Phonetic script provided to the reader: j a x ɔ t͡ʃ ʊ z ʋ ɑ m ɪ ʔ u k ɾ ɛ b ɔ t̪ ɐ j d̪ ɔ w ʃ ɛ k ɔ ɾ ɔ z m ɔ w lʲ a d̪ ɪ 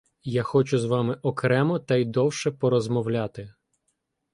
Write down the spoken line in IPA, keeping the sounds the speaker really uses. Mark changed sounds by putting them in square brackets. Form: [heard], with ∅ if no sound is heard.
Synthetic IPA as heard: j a x ɔ t͡ʃ ʊ z ʋ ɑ m ɪ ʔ [ɔ] k ɾ ɛ [m] ɔ t̪ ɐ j d̪ ɔ w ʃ ɛ [p] ɔ ɾ ɔ z m ɔ w lʲ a [t̪] ɪ